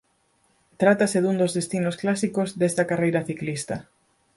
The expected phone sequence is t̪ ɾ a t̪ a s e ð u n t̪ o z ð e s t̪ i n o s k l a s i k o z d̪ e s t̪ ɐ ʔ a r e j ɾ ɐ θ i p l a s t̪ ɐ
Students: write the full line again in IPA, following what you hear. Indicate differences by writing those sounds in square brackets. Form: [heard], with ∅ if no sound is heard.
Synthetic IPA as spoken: t̪ ɾ a t̪ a s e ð u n [d̪] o z ð e s t̪ i n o s k l a s i k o z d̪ e s t̪ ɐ [k] a r e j ɾ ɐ θ i [k] l [i] s t̪ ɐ